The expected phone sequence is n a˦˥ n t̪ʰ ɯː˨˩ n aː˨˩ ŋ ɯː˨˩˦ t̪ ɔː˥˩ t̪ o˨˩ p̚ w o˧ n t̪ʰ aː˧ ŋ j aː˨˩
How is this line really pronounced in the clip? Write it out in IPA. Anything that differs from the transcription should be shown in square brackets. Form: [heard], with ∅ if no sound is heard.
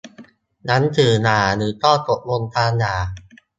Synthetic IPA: n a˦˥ n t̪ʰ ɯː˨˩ n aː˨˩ [n] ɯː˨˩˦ t̪ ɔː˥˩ t̪ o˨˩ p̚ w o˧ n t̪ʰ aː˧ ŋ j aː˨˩